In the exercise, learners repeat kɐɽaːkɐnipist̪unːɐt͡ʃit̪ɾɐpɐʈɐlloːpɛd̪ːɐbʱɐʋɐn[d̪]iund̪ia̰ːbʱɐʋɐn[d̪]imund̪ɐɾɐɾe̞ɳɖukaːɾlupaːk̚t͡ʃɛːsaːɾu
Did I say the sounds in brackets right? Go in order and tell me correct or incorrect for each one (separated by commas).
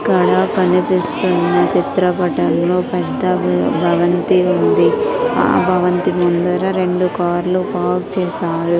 incorrect, incorrect